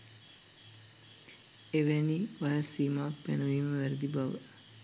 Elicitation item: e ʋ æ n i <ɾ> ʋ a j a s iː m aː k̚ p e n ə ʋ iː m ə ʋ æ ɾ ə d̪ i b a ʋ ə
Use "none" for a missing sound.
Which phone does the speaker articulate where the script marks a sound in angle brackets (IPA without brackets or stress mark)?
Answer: none